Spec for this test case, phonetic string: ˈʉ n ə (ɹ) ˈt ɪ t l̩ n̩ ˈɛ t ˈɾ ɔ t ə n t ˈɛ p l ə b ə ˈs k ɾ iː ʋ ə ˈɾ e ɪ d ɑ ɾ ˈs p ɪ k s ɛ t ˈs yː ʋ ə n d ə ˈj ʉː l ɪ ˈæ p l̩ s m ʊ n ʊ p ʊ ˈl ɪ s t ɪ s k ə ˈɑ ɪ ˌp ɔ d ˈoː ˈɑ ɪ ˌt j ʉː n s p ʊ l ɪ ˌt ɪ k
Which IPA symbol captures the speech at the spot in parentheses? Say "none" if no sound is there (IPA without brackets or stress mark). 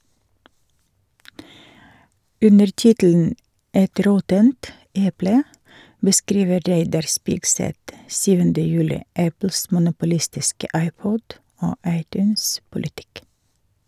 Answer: ɾ